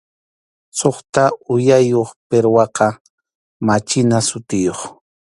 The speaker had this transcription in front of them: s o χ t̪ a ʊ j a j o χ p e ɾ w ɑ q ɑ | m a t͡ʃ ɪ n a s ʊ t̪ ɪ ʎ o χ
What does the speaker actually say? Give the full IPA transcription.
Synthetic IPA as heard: s o χ t̪ a ʊ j a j o χ p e ɾ w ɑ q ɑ | m a t͡ʃ ɪ n a s ʊ t̪ ɪ j o χ